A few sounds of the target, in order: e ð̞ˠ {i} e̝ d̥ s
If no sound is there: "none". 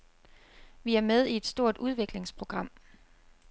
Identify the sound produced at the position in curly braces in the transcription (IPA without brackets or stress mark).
i